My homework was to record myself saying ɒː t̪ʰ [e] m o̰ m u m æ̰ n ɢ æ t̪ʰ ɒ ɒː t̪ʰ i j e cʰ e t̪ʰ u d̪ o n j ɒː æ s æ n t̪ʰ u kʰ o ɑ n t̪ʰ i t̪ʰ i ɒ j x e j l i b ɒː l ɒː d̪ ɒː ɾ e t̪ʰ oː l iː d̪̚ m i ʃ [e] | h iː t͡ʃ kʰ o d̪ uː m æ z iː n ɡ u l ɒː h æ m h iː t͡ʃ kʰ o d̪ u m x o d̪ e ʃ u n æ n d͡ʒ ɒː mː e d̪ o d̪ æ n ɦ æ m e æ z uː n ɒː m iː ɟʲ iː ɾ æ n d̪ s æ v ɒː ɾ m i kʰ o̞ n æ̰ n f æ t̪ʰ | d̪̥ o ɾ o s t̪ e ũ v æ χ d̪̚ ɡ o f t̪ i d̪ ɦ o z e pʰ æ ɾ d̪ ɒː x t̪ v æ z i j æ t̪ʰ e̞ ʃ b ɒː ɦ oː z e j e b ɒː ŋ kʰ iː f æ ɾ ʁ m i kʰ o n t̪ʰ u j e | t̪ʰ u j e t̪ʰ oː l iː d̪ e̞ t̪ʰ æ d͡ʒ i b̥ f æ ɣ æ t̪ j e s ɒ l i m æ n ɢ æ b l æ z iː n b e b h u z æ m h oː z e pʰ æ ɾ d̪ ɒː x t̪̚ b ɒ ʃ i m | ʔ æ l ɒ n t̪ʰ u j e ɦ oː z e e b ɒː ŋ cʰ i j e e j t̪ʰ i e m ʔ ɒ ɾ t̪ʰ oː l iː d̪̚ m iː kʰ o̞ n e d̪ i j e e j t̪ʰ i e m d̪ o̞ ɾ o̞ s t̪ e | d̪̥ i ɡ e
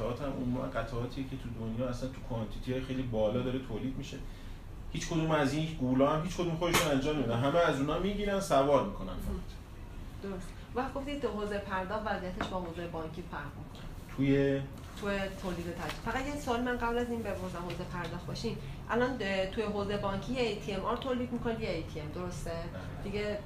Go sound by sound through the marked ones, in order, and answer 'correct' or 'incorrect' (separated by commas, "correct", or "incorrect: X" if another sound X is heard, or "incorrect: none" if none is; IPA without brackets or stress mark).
incorrect: æ, correct